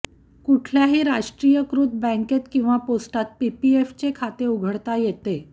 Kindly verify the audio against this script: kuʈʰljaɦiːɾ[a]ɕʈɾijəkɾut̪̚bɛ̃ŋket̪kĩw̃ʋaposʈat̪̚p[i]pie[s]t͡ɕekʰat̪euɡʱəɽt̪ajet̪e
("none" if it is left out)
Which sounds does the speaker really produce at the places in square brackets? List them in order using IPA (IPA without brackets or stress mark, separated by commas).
a, i, f